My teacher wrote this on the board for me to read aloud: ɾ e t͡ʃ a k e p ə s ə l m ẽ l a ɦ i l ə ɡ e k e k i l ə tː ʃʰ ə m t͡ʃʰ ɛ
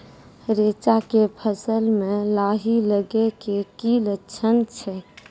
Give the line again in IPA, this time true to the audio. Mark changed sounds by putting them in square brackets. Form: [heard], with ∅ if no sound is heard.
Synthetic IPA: ɾ e t͡ʃ a k e [pʰ] ə s ə l m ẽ l a ɦ i l ə ɡ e k e k i l ə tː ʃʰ ə [n] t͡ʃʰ ɛ